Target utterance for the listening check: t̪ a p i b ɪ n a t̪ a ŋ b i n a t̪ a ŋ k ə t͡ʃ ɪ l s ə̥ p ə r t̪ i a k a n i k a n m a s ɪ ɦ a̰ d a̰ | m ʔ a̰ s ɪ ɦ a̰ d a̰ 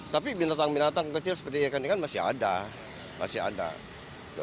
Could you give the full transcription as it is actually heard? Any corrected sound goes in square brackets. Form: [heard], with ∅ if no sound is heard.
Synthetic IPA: t̪ a p i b [i] n a t̪ a ŋ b i n a t̪ a ŋ k ə t͡ʃ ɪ l s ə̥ p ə r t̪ i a k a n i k a n m a s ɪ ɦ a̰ d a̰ | m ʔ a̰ s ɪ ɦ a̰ d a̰